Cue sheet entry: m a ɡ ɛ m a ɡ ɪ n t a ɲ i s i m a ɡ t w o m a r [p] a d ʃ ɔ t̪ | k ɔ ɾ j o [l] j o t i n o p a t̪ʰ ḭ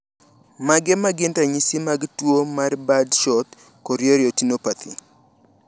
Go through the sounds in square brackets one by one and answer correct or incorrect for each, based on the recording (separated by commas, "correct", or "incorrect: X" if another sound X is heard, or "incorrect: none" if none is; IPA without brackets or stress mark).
incorrect: b, incorrect: ɾ